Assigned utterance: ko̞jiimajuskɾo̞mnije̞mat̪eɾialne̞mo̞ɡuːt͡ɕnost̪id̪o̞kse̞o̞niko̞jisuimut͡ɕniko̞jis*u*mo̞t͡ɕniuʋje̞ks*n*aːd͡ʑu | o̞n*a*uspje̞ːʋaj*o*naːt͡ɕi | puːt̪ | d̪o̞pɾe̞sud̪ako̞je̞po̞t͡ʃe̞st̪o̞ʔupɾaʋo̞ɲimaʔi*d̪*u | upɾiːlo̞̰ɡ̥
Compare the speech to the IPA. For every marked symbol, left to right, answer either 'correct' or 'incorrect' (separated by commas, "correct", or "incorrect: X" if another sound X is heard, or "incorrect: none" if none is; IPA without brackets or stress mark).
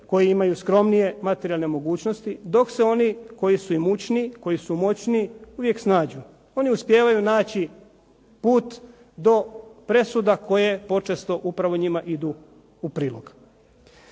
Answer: correct, correct, incorrect: i, incorrect: u, correct